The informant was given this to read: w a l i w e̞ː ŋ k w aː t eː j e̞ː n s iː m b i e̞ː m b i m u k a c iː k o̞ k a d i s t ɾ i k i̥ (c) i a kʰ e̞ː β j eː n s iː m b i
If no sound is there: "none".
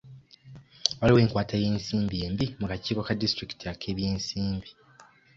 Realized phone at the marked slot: t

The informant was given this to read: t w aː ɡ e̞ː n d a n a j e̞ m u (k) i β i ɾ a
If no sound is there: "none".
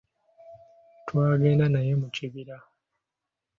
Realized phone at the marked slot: c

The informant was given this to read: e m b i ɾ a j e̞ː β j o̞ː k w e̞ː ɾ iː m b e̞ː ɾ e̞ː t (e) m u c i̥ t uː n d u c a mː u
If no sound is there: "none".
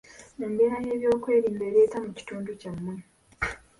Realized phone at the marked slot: a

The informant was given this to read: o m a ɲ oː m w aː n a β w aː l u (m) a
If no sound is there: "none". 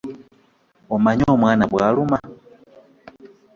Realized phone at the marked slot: m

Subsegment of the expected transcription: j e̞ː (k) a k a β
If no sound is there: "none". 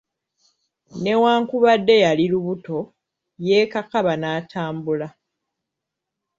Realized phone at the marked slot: k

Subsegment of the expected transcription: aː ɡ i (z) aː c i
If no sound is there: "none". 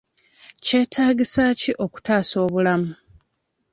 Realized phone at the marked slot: s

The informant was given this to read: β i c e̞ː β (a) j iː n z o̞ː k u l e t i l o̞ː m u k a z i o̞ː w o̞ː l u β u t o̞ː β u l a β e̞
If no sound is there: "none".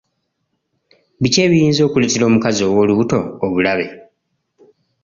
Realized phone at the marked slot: i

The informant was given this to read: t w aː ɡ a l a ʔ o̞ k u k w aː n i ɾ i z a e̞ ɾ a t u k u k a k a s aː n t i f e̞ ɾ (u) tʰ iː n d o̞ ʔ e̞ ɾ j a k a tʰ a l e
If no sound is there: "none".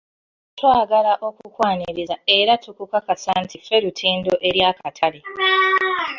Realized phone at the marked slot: u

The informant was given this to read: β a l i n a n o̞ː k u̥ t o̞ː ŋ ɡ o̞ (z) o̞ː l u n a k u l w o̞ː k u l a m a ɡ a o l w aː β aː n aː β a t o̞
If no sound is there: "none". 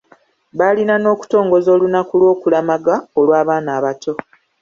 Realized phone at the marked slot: z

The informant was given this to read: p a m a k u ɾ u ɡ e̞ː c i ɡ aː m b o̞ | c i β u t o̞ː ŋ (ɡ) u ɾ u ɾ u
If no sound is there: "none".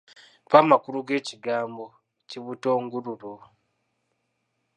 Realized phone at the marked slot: ɡ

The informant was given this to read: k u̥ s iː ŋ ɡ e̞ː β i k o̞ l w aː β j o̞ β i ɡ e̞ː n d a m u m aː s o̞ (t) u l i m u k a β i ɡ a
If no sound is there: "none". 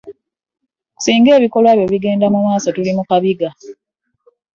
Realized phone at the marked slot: t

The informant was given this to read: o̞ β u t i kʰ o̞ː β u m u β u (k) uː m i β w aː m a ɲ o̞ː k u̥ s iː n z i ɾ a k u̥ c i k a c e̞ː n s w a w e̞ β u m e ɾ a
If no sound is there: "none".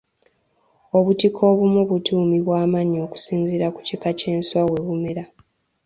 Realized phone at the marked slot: t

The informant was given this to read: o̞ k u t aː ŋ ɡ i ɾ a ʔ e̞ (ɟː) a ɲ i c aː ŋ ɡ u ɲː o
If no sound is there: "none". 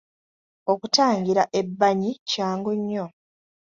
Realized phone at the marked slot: bː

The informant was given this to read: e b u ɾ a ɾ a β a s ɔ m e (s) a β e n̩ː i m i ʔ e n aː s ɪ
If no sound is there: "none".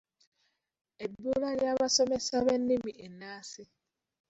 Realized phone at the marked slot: s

